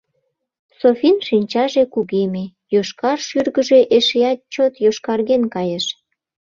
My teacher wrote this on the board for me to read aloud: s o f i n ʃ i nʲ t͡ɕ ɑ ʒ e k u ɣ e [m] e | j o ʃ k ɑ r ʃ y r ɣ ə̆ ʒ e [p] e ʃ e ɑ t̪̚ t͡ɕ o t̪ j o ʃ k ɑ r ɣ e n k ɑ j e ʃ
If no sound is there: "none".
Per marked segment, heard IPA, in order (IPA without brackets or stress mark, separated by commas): m, ʔ